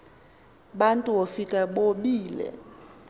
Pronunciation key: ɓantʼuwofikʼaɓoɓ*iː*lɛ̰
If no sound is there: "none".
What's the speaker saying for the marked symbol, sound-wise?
iː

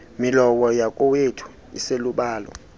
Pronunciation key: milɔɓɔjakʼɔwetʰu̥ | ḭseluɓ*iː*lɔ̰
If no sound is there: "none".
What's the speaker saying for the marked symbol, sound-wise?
aː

